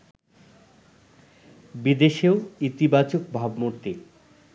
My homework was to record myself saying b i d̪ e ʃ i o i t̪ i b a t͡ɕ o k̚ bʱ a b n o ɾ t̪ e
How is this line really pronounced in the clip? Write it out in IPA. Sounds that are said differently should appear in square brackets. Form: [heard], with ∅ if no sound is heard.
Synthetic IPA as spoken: b i d̪ e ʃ [e] o i t̪ i b a t͡ɕ o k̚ bʱ a b [m] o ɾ t̪ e